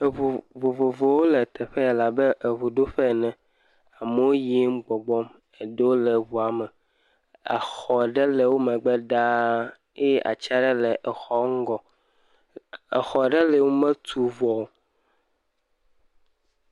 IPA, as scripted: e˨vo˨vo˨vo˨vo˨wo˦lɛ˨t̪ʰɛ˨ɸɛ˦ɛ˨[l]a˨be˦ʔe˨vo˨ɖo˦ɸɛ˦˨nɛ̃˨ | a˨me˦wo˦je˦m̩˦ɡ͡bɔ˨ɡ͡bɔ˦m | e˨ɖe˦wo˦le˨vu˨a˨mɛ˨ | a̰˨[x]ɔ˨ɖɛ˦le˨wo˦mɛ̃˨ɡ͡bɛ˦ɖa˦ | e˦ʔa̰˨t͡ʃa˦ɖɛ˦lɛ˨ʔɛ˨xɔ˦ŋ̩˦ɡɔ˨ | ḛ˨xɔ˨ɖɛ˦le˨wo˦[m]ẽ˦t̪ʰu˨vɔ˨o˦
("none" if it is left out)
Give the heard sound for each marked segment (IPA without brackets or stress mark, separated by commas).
l, x, m